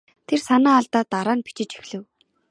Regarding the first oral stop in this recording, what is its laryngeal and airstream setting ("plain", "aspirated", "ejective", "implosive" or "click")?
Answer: aspirated